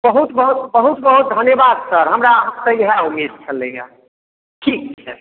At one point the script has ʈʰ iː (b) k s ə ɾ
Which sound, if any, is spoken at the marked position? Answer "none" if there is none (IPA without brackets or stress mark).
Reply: none